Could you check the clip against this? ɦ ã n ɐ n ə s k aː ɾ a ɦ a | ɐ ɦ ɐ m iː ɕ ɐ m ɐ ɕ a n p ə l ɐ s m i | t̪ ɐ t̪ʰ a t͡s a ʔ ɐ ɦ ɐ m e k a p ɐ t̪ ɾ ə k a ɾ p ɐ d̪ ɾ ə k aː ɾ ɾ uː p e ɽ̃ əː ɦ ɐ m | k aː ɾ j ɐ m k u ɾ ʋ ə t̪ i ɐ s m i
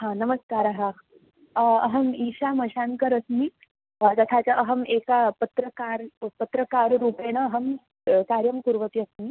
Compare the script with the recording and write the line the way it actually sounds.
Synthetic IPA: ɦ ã n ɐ m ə s k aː ɾ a ɦ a | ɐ ɦ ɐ m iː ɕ a m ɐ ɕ a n k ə ɾ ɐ s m i | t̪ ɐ t̪ʰ a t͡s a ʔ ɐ ɦ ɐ m e k a p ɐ t̪ ɾ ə k a ɾ p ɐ t̪ ɾ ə k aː ɾ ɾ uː p e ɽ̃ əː ɦ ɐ m | k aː ɾ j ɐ m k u ɾ ʋ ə t̪ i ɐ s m i